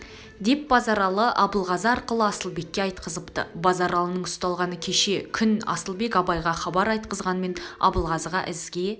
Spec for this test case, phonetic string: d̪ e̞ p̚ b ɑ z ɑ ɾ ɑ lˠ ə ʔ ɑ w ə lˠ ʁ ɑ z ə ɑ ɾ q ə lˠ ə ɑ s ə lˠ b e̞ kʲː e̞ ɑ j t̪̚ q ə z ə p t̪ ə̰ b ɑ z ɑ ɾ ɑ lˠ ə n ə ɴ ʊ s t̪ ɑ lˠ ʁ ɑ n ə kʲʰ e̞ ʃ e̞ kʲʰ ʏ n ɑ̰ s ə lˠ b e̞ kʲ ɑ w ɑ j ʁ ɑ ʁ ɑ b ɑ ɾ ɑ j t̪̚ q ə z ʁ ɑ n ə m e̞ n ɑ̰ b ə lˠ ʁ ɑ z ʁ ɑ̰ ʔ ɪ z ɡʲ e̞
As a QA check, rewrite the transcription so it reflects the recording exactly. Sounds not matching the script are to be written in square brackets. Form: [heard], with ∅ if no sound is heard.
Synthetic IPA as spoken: d̪ e̞ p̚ b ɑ z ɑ ɾ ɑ lˠ ə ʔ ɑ [b] ə lˠ ʁ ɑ z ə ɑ ɾ q ə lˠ ə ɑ s ə lˠ b e̞ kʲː e̞ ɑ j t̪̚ q ə z ə p t̪ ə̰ b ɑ z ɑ ɾ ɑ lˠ ə n ə ɴ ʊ s t̪ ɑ lˠ ʁ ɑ n ə kʲʰ e̞ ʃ e̞ kʲʰ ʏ n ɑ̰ s ə lˠ b e̞ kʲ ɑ [b] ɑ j ʁ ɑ [χ] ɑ b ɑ ɾ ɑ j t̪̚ q ə z ʁ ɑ n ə m e̞ n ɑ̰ b ə lˠ ʁ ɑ z ʁ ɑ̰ ʔ ɪ z ɡʲ e̞

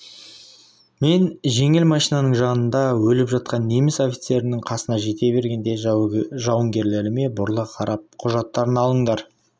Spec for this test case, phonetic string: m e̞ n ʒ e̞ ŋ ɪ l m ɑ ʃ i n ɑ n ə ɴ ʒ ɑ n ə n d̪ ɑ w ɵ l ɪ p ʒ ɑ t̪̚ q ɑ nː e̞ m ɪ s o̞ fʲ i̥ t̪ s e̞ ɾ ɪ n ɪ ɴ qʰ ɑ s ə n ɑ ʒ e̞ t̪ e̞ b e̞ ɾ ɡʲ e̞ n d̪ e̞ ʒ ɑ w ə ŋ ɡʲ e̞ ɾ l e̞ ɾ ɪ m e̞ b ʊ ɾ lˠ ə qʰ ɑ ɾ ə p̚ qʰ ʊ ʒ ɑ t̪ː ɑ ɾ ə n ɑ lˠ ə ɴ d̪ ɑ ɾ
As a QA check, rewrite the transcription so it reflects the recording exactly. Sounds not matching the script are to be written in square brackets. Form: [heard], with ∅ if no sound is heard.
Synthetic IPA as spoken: m e̞ n ʒ e̞ ŋ ɪ l m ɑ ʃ i n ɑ n ə ɴ ʒ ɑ n ə n d̪ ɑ w ɵ l ɪ p ʒ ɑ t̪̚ q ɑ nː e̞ m ɪ s o̞ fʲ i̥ t̪ s e̞ ɾ ɪ n ɪ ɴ qʰ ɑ s ə n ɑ ʒ e̞ t̪ e̞ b e̞ ɾ ɡʲ e̞ n d̪ e̞ ʒ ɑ w ə ŋ ɡʲ e̞ ɾ l e̞ ɾ ɪ m e̞ b ʊ ɾ lˠ ə qʰ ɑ ɾ [ɑ] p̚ qʰ ʊ ʒ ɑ t̪ː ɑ ɾ ə n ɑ lˠ ə ɴ d̪ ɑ ɾ

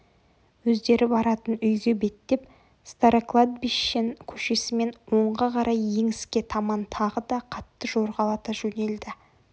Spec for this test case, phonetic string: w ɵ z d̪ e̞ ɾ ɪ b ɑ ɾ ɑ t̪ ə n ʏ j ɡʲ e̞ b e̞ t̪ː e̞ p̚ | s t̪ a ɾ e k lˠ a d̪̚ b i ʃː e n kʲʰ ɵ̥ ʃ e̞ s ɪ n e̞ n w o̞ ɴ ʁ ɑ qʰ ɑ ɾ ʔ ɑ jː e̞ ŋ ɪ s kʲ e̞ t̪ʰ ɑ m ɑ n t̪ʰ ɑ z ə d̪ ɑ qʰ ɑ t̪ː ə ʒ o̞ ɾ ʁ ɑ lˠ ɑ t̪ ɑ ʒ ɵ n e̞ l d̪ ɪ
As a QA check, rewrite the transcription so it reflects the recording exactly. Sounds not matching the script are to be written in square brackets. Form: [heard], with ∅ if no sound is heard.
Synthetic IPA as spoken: w ɵ z d̪ e̞ ɾ ɪ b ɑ ɾ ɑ t̪ ə n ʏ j ɡʲ e̞ b e̞ t̪ː e̞ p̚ | s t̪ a ɾ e k lˠ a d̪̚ b i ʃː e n kʲʰ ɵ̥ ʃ e̞ s ɪ [m] e̞ n w o̞ ɴ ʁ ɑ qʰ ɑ ɾ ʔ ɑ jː e̞ ŋ ɪ s kʲ e̞ t̪ʰ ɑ m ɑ n t̪ʰ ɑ [ʁ] ə d̪ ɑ qʰ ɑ t̪ː ə ʒ o̞ ɾ ʁ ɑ lˠ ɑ t̪ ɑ ʒ ɵ n e̞ l d̪ ɪ

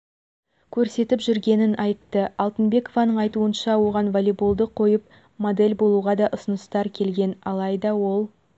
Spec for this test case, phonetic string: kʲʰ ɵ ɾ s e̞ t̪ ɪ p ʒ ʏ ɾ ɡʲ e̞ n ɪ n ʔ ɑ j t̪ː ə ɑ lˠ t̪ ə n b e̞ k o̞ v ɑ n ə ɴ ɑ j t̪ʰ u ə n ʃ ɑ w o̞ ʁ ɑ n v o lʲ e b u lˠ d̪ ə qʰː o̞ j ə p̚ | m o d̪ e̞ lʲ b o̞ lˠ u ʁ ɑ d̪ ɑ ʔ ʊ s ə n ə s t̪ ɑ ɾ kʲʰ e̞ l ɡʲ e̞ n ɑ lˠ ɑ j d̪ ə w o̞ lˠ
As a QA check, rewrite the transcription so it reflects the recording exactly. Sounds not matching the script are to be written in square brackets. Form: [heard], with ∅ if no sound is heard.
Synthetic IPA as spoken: kʲʰ ɵ ɾ s e̞ t̪ ɪ p ʒ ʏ ɾ ɡʲ e̞ n ɪ n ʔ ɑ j t̪ː ə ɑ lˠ t̪ ə n b e̞ k o̞ v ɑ n ə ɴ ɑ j [t̪] u ə n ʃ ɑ w o̞ ʁ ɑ n v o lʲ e b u lˠ d̪ ə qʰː o̞ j ə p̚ | m o d̪ e̞ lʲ b o̞ lˠ u ʁ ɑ d̪ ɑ ʔ ʊ s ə n ə s t̪ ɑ ɾ kʲʰ e̞ l ɡʲ e̞ n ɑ lˠ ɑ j d̪ [ɑ] w o̞ lˠ

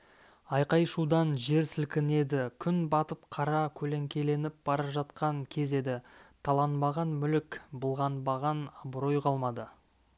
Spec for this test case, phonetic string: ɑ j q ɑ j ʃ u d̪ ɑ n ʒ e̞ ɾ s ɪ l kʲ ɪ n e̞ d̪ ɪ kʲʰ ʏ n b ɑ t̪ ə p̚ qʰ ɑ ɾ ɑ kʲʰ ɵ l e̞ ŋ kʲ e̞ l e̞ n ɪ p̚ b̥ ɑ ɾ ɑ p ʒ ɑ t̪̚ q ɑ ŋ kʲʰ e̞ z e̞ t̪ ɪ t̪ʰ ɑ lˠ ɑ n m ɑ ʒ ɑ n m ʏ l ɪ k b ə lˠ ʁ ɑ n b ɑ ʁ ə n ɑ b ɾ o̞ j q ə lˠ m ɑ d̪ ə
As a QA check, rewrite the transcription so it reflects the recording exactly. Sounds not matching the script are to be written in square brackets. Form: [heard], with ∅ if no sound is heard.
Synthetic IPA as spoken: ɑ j q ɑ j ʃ u d̪ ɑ n ʒ e̞ ɾ s ɪ l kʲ ɪ n e̞ d̪ ɪ kʲʰ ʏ n b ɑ t̪ ə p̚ qʰ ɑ ɾ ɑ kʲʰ ɵ l e̞ ŋ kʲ e̞ l e̞ n ɪ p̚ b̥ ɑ ɾ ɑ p ʒ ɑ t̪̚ q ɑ ŋ kʲʰ e̞ z e̞ [d̪] ɪ t̪ʰ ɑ lˠ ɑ n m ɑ [ʁ] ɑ n m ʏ l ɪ k b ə lˠ ʁ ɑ n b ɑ ʁ [ɑ] n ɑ b ɾ o̞ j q [ɑ] lˠ m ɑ d̪ ə

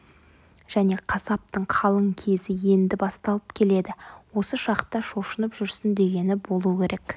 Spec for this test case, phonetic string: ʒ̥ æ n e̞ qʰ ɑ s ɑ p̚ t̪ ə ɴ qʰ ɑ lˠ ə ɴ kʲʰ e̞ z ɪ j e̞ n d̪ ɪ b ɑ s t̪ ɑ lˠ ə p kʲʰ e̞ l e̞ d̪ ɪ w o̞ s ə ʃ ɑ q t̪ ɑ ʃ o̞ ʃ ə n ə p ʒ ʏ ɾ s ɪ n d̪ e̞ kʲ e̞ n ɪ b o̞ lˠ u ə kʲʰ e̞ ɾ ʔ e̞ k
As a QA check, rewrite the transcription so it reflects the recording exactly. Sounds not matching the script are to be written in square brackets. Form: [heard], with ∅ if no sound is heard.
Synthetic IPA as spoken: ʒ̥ æ n e̞ qʰ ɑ s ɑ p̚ t̪ ə ɴ qʰ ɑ lˠ ə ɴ kʲʰ e̞ z ɪ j e̞ n d̪ ɪ b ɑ s t̪ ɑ lˠ ə p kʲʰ e̞ l e̞ d̪ ɪ w o̞ s ə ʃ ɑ q t̪ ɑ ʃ o̞ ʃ ə n ə p ʒ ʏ ɾ s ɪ n d̪ e̞ [ɡʲ] e̞ n ɪ b o̞ lˠ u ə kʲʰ e̞ ɾ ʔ e̞ k

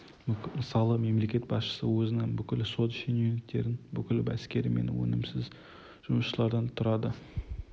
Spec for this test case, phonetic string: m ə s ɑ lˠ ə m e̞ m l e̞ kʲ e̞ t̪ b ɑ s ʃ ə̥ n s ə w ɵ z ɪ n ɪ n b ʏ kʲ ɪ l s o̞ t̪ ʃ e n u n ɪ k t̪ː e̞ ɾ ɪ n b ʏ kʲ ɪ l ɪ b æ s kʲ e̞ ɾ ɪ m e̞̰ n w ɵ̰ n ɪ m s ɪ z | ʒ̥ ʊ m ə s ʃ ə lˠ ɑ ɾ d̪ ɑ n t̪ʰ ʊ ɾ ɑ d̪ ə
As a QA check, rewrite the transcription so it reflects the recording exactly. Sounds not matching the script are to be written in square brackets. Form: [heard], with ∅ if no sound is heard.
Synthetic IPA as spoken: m ə s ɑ lˠ ə m e̞ m l e̞ kʲ e̞ t̪ b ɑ s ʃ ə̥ [∅] s ə w ɵ z ɪ n ɪ [ŋ] b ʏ kʲ ɪ l s o̞ t̪ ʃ e n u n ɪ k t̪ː e̞ ɾ ɪ n b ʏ kʲ ɪ l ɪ b æ s kʲ e̞ ɾ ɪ m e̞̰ n w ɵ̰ n ɪ m s ɪ z | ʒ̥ ʊ m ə s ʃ ə lˠ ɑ ɾ d̪ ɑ n t̪ʰ ʊ ɾ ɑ d̪ ə

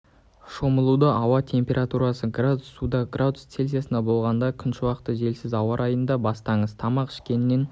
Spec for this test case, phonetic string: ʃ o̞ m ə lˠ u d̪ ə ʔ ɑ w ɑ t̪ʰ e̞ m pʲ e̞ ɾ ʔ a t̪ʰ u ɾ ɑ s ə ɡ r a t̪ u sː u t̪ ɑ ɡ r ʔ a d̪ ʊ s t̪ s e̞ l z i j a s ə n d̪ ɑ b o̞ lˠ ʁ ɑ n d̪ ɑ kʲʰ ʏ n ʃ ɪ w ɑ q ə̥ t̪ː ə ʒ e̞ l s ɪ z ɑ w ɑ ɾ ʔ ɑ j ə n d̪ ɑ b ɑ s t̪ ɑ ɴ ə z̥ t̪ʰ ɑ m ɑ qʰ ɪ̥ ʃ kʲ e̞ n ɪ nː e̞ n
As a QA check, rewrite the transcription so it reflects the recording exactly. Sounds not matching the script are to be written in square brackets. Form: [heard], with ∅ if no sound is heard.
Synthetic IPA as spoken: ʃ o̞ m ə lˠ u d̪ ə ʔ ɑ w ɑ t̪ʰ e̞ m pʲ e̞ ɾ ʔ a [t̪] u ɾ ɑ s ə ɡ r a [d̪] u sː u [d̪] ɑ ɡ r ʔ a d̪ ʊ s t̪ s e̞ l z i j a s ə n d̪ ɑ b o̞ lˠ ʁ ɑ n d̪ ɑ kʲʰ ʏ n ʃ ɪ w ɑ q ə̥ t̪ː ə ʒ e̞ l s ɪ z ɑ w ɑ ɾ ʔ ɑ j ə n d̪ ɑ b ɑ s t̪ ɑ ɴ ə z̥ t̪ʰ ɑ m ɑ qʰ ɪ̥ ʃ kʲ e̞ n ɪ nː e̞ n

